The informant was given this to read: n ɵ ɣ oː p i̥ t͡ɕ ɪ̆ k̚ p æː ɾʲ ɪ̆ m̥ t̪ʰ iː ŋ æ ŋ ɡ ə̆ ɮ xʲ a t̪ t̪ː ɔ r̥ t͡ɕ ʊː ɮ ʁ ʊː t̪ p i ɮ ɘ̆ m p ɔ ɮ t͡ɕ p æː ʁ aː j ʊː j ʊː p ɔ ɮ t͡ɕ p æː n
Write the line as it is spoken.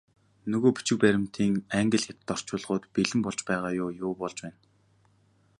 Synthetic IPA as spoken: n ɵ ɣ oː p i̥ t͡ɕ ɪ̆ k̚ p æ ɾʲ ɪ̆ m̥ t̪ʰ iː ŋ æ ŋ ɡ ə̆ ɮ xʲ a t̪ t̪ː ɔ r̥ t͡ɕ ʊː ɮ ʁ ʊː t̪ p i ɮ ɘ̆ m p ɔ ɮ t͡ɕ p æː ʁ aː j ʊː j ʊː p ɔ ɮ t͡ɕ p æː n